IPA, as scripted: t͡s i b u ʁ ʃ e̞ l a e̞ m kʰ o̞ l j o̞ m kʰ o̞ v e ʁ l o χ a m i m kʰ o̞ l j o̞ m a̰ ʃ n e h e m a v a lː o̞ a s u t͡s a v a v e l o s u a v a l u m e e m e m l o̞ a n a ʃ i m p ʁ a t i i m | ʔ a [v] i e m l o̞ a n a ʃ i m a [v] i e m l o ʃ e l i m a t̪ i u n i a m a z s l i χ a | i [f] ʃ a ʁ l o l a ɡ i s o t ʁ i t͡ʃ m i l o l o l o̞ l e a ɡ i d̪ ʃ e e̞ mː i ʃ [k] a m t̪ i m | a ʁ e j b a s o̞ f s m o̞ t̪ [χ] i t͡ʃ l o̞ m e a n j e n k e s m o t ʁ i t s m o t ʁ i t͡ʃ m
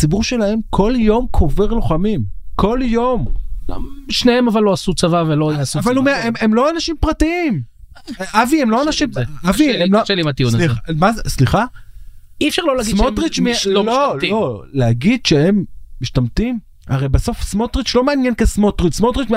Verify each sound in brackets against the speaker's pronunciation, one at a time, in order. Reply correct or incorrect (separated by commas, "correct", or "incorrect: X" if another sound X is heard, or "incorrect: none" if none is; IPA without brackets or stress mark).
correct, correct, correct, incorrect: t, incorrect: ʁ